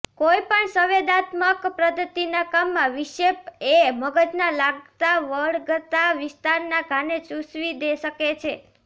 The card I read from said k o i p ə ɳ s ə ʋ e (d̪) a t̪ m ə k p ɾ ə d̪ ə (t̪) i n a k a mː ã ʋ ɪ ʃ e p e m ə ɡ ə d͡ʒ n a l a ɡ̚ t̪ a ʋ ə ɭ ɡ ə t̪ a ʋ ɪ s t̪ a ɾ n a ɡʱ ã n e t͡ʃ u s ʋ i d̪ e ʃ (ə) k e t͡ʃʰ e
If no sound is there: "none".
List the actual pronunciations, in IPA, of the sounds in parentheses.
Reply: d̪, t̪, ə

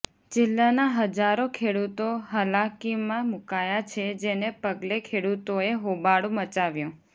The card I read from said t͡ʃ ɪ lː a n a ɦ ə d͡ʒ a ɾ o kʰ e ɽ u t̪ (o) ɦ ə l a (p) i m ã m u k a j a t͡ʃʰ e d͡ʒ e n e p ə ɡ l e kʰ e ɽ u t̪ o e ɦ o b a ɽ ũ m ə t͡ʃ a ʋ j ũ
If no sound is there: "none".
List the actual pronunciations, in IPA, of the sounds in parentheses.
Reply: o, k

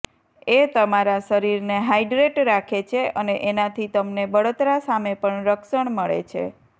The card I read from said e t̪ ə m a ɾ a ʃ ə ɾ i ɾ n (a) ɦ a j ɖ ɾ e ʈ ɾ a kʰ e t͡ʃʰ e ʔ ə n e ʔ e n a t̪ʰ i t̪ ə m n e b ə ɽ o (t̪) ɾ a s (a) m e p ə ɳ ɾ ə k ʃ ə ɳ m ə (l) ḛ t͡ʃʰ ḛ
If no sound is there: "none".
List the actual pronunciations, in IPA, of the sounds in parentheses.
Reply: e, t̪, a, ɭ

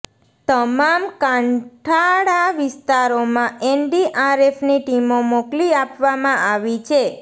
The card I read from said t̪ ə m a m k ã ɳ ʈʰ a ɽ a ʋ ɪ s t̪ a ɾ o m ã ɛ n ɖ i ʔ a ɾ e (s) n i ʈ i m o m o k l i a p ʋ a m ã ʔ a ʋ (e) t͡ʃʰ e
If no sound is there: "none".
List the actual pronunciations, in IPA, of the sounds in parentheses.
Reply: f, i

